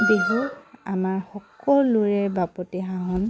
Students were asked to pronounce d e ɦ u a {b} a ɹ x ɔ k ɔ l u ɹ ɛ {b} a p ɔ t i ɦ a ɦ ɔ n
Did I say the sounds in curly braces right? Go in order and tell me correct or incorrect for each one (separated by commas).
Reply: incorrect, correct